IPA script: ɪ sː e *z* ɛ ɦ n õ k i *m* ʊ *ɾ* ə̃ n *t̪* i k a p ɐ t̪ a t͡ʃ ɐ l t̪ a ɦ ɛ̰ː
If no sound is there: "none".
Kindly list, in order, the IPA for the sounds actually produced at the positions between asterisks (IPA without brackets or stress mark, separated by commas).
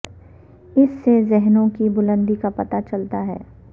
z, b, l, d̪